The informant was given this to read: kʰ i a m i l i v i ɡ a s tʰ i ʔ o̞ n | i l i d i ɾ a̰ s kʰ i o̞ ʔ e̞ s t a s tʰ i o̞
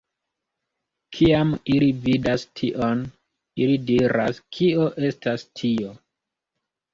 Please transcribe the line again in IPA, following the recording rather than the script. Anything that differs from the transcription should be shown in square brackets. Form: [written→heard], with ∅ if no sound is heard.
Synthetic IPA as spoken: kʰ i a m i l i v i [ɡ→d] a s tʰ i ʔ o̞ n | i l i d i ɾ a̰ s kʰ i o̞ ʔ e̞ s t a s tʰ i o̞